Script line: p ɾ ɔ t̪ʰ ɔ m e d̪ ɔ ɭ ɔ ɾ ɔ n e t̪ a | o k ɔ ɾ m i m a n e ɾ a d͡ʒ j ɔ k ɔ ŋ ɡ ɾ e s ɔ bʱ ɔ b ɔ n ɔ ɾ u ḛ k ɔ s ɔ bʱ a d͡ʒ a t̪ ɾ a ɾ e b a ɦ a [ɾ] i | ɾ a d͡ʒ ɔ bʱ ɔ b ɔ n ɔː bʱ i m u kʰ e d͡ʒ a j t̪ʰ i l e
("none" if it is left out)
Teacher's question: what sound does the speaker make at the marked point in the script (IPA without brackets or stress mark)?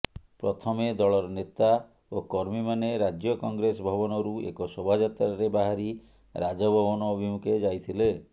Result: ɾ